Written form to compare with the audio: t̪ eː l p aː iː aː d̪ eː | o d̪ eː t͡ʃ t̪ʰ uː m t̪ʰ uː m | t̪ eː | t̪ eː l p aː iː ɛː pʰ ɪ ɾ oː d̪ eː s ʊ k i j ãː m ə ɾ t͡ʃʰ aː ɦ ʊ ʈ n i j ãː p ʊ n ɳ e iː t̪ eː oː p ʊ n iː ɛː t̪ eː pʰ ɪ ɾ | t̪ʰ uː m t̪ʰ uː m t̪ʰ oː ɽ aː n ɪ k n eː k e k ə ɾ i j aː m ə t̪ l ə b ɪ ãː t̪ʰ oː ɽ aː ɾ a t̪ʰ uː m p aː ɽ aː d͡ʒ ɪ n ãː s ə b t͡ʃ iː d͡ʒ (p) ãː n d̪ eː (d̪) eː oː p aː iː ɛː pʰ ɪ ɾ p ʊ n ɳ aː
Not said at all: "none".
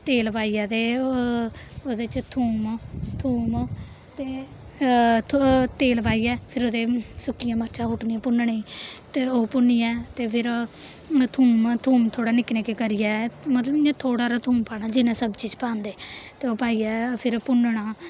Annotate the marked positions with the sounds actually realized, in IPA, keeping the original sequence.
p, t̪

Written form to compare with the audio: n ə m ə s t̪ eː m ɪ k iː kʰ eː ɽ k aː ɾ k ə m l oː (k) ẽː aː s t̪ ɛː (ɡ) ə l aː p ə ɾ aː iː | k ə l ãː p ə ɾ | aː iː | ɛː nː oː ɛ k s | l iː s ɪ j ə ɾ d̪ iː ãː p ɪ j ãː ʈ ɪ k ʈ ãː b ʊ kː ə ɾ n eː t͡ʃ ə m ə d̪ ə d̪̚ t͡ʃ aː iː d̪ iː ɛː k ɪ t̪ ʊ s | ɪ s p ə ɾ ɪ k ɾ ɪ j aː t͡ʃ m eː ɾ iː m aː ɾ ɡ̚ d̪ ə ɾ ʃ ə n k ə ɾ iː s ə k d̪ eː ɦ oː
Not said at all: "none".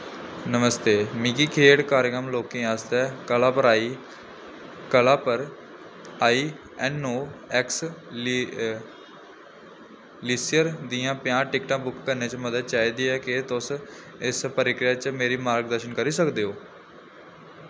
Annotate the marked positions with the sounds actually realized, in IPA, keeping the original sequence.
k, k

